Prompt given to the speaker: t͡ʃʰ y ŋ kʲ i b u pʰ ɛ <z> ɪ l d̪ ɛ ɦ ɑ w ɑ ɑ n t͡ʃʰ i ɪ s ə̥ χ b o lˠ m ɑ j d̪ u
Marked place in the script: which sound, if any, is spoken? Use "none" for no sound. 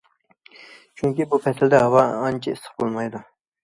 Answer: s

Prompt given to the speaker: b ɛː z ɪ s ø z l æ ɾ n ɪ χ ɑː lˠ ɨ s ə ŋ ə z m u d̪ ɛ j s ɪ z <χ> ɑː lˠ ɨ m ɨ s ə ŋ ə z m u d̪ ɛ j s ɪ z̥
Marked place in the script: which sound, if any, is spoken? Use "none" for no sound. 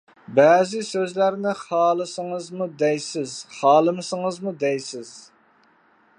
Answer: χ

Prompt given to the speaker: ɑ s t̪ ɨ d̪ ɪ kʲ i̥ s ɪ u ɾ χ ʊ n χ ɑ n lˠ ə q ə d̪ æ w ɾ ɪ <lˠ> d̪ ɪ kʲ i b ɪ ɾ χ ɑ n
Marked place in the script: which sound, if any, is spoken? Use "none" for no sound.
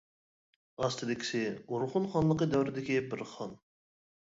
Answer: none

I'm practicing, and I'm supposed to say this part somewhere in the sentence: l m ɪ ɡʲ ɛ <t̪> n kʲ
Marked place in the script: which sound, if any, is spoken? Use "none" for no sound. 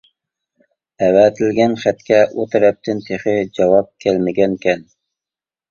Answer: none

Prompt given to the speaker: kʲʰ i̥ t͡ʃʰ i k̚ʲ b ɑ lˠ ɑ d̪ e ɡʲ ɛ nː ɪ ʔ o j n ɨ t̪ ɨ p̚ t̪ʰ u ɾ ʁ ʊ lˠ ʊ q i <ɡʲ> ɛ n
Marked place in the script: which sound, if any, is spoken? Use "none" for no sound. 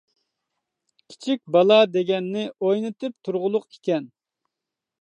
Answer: kʲ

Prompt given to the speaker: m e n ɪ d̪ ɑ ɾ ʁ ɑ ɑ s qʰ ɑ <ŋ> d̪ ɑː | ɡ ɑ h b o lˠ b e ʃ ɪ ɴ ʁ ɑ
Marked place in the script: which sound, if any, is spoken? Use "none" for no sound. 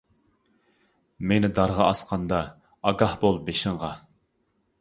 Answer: n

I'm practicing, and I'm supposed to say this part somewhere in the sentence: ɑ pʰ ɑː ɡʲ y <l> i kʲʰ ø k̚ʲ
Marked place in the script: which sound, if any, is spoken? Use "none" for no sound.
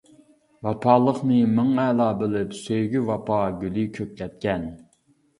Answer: l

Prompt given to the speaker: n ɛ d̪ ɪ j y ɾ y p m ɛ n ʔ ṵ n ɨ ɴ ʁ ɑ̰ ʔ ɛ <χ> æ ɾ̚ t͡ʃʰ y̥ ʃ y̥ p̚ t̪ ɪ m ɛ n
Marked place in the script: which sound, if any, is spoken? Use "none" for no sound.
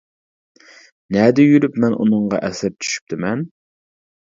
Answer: s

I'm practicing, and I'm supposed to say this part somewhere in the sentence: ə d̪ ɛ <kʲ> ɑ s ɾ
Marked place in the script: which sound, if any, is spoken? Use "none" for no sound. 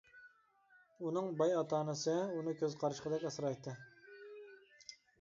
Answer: kʲ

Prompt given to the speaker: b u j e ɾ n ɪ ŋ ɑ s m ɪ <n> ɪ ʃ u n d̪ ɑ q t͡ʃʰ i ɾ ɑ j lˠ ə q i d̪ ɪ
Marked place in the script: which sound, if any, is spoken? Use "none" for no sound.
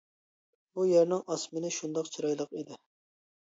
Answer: n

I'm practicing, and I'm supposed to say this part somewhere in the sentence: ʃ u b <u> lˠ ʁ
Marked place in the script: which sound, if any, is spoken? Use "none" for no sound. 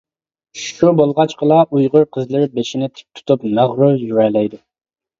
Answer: o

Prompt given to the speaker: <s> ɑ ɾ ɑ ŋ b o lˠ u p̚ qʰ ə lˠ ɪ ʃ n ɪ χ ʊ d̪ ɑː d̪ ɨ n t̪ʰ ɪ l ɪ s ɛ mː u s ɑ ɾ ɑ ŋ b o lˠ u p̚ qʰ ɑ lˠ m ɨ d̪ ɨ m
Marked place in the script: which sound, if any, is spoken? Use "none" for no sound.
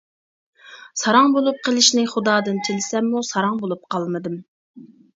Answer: s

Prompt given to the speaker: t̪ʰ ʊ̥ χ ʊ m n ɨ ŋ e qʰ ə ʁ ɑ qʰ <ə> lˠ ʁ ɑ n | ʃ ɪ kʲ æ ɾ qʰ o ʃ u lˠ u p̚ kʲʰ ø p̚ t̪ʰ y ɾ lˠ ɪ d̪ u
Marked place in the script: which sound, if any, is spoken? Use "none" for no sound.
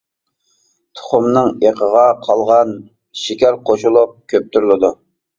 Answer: ɑ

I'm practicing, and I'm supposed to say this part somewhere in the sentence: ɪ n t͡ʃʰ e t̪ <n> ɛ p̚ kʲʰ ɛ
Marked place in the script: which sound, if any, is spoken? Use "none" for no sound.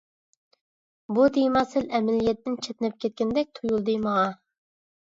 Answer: n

